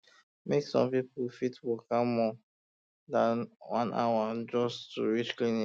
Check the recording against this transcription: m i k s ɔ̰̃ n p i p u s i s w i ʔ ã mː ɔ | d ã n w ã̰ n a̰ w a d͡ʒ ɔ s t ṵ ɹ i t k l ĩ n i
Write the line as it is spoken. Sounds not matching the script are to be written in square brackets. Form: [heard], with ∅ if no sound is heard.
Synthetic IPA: m [e] k s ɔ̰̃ [m] p i p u [f] i [t] w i [k] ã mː ɔ | d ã n w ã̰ n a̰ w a d͡ʒ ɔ s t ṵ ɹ i [t͡ʃ] k l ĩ n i

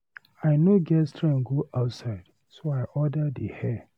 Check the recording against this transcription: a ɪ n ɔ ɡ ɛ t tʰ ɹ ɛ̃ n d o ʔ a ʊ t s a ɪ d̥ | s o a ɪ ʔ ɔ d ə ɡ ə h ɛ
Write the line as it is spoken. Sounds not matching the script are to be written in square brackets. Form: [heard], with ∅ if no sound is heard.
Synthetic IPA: a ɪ n [o] ɡ ɛ [s] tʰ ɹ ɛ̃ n [ɡ] o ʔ a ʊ t s a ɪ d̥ | s o a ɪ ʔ ɔ d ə [d] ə h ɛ

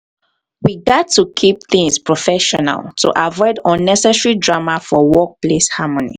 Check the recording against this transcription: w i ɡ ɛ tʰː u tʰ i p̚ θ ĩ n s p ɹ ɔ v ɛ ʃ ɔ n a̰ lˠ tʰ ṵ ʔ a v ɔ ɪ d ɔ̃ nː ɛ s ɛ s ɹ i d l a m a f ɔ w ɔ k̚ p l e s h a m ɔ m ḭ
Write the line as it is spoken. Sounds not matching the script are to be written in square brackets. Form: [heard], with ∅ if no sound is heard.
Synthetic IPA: w i ɡ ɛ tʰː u [kʰ] i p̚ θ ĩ [ŋ] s p ɹ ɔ [f] ɛ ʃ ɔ n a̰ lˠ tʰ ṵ ʔ a v ɔ ɪ d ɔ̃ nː ɛ s ɛ s ɹ i d [ɹ] a m a f ɔ w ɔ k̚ p l e s h a m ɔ [n] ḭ

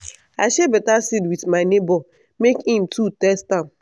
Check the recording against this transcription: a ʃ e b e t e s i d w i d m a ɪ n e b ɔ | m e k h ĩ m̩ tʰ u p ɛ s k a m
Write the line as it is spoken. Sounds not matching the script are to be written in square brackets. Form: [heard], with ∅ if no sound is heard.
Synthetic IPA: a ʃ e b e t [a] s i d w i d m a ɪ n e b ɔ | m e k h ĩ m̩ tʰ u [t] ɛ s [t] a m

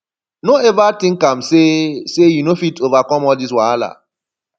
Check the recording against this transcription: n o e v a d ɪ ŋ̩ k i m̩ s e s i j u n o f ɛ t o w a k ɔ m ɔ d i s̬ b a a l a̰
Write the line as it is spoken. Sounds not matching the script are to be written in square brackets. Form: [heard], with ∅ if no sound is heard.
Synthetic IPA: n o e v a [t] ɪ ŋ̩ k [a] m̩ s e s [e] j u n o f [i] t o [v] a k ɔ m ɔ d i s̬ [w] a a l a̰

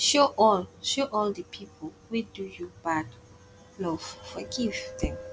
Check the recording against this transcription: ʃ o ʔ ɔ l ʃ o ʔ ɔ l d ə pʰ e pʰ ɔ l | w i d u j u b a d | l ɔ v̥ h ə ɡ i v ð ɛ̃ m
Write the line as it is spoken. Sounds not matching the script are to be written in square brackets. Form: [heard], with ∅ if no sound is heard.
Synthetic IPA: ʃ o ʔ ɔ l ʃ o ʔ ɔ l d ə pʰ [i] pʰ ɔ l | w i d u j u b a d | l ɔ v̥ [f] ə ɡ i v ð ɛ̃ m

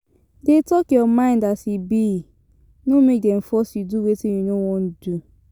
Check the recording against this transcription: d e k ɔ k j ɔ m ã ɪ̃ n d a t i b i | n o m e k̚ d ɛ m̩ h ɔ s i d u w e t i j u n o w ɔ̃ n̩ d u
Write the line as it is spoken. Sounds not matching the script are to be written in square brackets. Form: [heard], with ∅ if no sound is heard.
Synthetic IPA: d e [t] ɔ k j ɔ m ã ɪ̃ n d a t i b i | n o m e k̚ d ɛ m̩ [f] ɔ s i d u w e t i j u n o w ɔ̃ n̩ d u

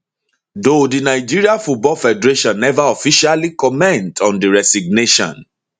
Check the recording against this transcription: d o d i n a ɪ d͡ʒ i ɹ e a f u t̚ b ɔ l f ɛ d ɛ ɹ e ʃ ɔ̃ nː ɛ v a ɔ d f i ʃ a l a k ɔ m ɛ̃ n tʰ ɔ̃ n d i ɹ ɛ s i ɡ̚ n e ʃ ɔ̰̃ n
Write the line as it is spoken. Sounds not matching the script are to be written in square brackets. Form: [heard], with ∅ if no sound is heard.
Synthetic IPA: d o d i n a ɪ d͡ʒ i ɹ [i] a f u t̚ b ɔ l f ɛ d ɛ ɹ e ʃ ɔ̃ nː ɛ v a ɔ [∅] f i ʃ a l [i] k ɔ m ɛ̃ n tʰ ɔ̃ n d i ɹ ɛ s i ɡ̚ n e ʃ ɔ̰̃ n

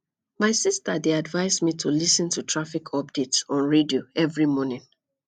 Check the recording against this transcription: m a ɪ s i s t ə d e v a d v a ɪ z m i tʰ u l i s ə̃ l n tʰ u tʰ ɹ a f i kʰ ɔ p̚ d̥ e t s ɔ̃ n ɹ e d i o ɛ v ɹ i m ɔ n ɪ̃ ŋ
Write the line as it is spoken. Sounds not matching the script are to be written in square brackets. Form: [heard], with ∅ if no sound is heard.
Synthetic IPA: m a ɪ s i s t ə d e [∅] a d v a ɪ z m i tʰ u l i s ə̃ [∅] n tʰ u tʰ ɹ a f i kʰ ɔ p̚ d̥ e t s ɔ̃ n ɹ e d i o ɛ v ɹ i m ɔ n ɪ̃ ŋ

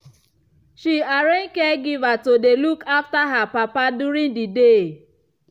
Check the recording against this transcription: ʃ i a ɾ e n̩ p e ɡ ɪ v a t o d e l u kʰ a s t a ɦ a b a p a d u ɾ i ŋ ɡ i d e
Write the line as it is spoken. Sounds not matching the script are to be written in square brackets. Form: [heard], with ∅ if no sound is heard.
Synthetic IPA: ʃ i a ɾ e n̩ [k] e ɡ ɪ v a t o d e l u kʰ a [f] t a ɦ a [p] a p a d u ɾ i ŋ [d] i d e

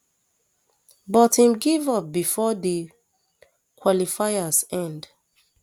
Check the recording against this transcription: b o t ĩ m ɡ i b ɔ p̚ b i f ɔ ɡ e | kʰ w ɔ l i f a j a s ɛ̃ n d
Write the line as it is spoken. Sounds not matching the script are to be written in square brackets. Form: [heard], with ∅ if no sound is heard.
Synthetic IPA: b [ɔ] t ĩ m ɡ i [v] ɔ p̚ b i f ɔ [d] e | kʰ w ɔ l i f a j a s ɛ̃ n d

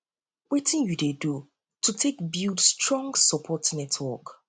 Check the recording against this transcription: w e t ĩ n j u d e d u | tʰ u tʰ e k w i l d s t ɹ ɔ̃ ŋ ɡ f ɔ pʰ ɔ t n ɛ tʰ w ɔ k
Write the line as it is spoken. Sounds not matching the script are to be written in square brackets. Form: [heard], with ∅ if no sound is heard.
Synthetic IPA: w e t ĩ n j u d e d u | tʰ u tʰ e k [b] i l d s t ɹ ɔ̃ ŋ ɡ [s] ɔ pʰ ɔ t n ɛ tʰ w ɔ k

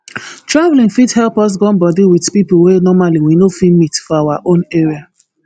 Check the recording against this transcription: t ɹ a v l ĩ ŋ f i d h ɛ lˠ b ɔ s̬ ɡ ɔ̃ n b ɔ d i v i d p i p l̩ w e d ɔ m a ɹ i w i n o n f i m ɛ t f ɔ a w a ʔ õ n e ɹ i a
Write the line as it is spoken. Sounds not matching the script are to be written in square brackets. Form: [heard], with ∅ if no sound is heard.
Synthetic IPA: t ɹ a v l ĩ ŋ f i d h ɛ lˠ [p] ɔ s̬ ɡ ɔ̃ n b ɔ d i [w] i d p i p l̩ w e [n] ɔ m a [l] i w i n o [∅] f i m [i] t f ɔ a w a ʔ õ n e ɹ i a

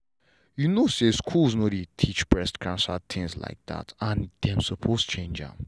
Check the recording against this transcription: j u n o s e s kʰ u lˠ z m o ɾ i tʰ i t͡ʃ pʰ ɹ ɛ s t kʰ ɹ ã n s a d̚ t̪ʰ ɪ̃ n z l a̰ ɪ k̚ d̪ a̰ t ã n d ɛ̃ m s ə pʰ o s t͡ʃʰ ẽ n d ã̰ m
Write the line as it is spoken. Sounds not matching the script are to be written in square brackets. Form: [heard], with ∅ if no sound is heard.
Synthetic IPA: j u n o s e s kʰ u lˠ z [n] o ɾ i tʰ i t͡ʃ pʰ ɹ ɛ s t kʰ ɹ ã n s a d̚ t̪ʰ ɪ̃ [ŋ] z l a̰ ɪ k̚ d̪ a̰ t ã n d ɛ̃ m s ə pʰ o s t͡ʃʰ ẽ n [d͡ʒ] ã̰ m

